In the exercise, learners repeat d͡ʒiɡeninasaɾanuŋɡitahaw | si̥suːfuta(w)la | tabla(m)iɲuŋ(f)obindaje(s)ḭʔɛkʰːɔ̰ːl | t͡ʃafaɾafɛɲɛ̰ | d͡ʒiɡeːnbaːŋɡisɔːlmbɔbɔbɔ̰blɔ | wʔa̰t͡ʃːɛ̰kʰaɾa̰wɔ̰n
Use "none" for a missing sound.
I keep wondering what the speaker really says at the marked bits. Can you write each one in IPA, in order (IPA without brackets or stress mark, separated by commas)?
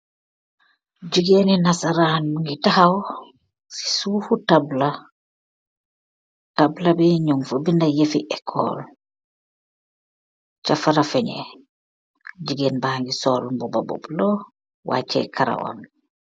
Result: b, b, f, f